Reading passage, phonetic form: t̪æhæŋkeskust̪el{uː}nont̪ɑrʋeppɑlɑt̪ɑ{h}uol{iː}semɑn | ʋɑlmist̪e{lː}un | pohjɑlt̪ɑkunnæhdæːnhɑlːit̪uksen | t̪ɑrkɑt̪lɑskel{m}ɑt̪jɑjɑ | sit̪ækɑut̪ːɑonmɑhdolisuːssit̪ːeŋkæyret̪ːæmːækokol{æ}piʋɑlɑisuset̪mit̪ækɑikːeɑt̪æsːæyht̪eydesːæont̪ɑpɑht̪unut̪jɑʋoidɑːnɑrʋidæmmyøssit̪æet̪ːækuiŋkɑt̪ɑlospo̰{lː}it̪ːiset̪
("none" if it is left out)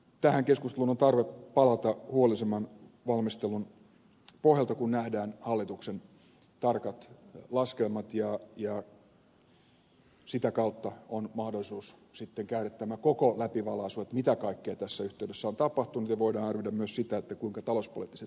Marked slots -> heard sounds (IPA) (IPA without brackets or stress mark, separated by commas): u, h, i, l, m, æ, l